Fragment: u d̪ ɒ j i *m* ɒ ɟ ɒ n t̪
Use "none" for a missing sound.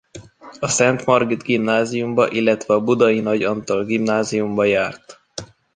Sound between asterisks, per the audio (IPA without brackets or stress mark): n